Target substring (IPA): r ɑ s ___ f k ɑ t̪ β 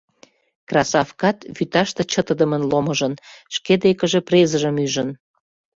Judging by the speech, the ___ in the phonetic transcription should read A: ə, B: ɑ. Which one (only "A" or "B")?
B